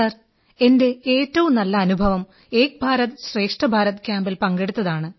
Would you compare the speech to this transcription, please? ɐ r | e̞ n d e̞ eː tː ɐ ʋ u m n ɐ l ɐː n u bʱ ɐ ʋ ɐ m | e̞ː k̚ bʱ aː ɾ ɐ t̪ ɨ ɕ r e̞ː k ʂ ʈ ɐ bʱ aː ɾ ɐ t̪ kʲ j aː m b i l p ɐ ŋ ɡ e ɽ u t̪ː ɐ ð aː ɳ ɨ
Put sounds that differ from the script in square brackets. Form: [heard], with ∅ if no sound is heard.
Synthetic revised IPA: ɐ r | e̞ n d e̞ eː tː ɐ ʋ u m n ɐ [lː] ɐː n u bʱ ɐ ʋ ɐ m | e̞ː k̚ bʱ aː ɾ ɐ t̪ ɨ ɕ r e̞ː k ʂ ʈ ɐ bʱ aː ɾ ɐ t̪ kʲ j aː m b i l p ɐ ŋ ɡ e ɽ u t̪ː ɐ ð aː ɳ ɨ